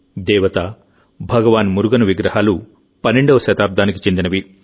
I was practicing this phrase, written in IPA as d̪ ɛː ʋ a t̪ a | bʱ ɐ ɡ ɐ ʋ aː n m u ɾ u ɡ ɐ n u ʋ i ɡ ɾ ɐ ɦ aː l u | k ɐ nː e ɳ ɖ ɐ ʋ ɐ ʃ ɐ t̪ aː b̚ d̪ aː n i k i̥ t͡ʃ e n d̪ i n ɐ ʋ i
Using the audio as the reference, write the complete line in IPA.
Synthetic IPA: d̪ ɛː ʋ ɐ t̪ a | bʱ ɐ ɡ ɐ ʋ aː n m u ɾ u ɡ ɐ n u ʋ i ɡ ɾ ɐ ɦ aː l u | p ɐ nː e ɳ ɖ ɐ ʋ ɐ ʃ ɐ t̪ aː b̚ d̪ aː n i k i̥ t͡ʃ e n d̪ i n ɐ ʋ i